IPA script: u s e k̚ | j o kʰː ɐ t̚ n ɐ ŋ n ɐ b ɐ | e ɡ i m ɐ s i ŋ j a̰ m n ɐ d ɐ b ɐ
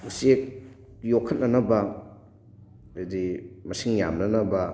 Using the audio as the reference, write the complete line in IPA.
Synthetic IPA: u s e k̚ | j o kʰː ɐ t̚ n ɐ n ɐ b ɐ | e d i m ɐ s i ŋ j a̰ m n ɐ n ɐ b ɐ